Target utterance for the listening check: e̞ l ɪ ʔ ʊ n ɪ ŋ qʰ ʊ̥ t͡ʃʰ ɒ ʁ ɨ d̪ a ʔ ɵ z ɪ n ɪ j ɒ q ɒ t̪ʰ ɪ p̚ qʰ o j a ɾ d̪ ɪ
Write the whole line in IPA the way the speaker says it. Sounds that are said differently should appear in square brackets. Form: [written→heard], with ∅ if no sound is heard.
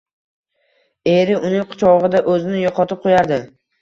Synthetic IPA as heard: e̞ [l→ɾ] ɪ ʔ ʊ n ɪ ŋ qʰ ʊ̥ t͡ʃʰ ɒ ʁ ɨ d̪ a ʔ ɵ z ɪ n ɪ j ɒ q ɒ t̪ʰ ɪ p̚ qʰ o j a ɾ d̪ ɪ